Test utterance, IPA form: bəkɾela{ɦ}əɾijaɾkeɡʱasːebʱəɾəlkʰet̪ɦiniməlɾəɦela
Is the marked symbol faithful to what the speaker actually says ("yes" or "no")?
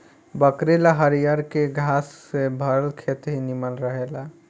yes